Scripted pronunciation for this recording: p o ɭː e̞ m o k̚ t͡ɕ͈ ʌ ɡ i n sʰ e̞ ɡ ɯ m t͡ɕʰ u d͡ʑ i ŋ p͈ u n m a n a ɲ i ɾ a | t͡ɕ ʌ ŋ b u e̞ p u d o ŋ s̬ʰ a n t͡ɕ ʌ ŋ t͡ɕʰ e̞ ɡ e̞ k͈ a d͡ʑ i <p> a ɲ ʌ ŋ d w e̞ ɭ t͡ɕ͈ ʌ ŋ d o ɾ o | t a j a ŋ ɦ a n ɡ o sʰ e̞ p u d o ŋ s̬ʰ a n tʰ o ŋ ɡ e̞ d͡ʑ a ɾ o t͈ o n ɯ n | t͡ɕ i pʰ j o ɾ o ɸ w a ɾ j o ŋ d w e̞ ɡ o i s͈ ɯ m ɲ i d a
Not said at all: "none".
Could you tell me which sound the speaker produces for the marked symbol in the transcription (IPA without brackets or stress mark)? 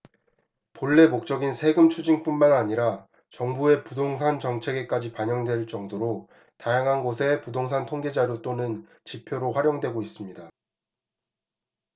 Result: p